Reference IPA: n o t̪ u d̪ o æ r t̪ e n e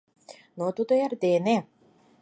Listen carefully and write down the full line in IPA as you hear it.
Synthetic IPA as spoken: n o t̪ u d̪ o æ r d̪ e n e